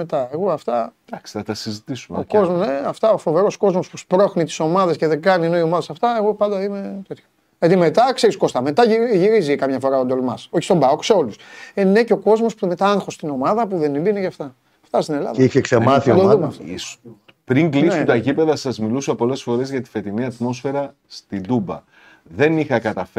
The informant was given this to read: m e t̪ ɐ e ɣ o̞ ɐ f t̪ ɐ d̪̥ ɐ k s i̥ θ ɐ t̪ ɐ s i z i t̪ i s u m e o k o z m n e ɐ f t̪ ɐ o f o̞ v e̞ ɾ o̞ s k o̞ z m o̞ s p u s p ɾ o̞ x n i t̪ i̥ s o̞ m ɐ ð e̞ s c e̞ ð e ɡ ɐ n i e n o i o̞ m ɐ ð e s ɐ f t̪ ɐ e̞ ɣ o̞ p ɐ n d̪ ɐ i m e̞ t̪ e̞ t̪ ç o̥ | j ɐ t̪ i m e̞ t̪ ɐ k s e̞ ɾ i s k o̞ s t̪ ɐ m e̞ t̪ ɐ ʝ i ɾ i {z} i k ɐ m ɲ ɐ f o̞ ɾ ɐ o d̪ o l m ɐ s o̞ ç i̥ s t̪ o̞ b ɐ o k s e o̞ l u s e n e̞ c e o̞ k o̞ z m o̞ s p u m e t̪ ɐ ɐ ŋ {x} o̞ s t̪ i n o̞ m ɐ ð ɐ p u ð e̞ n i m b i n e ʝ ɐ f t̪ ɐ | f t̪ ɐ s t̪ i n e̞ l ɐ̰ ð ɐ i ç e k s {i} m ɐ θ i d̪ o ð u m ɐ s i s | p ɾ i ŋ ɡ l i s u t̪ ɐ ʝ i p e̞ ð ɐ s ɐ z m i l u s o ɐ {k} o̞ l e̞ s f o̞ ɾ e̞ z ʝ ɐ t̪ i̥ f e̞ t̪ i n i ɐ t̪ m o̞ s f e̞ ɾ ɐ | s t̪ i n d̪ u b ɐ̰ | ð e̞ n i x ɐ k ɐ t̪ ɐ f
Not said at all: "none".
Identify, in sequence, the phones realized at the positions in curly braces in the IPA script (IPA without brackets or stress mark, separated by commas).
z, x, e, p